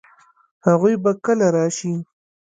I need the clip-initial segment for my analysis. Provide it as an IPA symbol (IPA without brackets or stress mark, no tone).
h